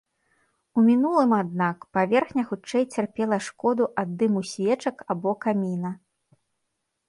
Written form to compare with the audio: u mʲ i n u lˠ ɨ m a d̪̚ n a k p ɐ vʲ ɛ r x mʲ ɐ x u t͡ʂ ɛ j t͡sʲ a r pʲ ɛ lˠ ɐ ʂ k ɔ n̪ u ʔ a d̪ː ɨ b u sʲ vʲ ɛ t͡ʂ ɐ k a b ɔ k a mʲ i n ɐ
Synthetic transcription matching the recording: u mʲ i n u lˠ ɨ m a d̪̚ n a k p a vʲ ɛ r x nʲ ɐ x u t͡ʂ ɛ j t͡sʲ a r pʲ ɛ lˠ ɐ ʂ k ɔ d̪ u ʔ a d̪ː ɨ m u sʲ vʲ ɛ t͡ʂ ɐ k a b ɔ k a mʲ i n ɐ